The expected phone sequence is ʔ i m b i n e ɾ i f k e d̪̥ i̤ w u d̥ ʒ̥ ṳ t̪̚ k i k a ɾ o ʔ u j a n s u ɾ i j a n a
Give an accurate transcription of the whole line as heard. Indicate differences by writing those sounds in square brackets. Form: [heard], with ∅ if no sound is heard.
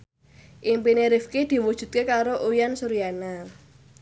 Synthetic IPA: ʔ i m [p] i n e ɾ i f k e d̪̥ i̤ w u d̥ ʒ̥ ṳ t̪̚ k [e] k a ɾ o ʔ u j a n s u ɾ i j a n a